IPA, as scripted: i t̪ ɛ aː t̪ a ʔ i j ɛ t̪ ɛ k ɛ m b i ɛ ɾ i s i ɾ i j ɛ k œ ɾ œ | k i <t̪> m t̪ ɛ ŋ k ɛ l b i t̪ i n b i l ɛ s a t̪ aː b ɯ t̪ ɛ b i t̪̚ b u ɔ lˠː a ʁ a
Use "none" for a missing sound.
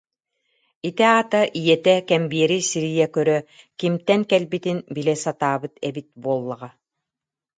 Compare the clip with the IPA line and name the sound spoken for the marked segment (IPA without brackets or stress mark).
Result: none